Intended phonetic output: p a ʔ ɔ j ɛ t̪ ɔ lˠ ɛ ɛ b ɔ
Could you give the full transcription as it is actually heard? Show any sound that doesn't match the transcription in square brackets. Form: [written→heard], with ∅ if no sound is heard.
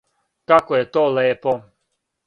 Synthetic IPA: [p→k] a [ʔ→k] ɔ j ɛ t̪ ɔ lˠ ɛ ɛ [b→p] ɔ